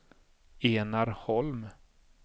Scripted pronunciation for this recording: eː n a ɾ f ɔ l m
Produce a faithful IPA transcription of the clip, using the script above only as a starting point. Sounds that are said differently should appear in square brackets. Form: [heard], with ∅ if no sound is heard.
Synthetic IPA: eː n a ɾ [h] ɔ l m